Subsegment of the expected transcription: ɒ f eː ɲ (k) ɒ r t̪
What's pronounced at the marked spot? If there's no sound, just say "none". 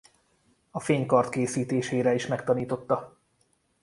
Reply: k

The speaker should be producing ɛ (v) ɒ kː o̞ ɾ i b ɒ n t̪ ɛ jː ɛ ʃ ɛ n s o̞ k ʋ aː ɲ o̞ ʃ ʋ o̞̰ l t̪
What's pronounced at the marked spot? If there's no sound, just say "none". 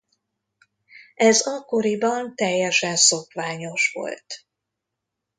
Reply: z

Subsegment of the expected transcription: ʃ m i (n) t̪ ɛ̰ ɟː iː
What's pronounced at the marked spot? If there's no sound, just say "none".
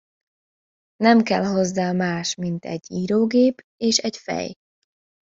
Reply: n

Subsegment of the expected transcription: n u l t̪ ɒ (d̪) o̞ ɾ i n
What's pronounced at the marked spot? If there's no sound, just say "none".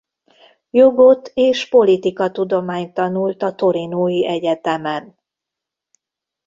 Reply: t̪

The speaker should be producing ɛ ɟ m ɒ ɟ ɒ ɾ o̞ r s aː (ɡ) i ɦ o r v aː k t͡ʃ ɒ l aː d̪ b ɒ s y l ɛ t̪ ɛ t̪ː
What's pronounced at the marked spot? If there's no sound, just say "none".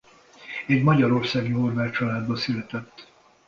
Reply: ɡ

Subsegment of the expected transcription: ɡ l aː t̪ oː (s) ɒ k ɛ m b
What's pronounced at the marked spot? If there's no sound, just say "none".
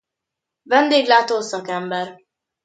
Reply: s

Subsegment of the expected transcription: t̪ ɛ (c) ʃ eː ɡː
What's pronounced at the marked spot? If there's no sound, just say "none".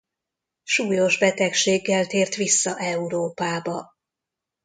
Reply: k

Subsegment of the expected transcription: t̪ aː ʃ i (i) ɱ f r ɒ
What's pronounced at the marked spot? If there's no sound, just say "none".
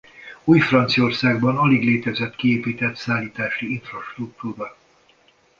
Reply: i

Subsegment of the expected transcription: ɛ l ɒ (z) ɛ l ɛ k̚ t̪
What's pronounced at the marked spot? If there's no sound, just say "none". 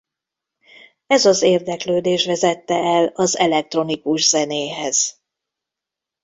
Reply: z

